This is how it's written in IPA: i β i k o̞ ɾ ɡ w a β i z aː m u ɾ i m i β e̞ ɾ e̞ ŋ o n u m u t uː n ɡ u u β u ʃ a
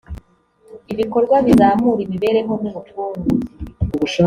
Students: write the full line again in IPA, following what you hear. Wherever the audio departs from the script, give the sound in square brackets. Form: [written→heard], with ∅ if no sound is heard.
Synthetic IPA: i β i k o̞ ɾ ɡ w a β i z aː m u ɾ i m i β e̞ ɾ e̞ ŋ o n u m u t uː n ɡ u u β u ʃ a